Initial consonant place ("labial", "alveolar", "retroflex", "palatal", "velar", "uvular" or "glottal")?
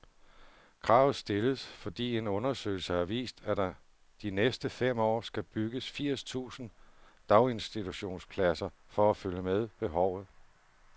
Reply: velar